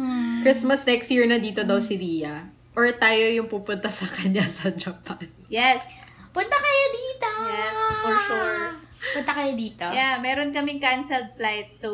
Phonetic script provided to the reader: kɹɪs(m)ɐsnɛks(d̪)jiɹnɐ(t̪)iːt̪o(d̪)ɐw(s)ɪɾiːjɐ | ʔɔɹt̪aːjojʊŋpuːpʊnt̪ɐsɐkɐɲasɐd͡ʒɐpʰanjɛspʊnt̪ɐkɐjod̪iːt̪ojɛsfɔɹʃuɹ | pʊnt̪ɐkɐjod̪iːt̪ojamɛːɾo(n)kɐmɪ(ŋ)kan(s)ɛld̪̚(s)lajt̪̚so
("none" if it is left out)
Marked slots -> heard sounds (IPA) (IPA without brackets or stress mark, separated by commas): m, t̪, d̪, d̪, s, n, ŋ, s, f